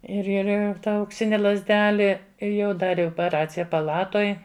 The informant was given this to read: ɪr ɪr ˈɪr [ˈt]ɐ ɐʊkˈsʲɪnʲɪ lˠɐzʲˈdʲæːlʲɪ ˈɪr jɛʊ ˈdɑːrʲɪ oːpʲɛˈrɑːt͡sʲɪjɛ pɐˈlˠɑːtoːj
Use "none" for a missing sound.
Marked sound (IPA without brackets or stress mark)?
t